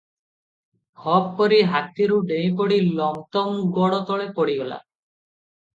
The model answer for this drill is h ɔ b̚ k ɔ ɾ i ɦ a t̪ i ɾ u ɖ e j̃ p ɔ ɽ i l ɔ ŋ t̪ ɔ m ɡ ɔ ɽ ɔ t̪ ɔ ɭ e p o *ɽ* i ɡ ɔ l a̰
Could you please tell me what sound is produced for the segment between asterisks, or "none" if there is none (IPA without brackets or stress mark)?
ɽ